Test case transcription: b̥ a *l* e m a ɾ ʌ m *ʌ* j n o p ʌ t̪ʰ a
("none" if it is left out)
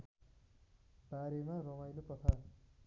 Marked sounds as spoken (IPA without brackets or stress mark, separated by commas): ɾ, a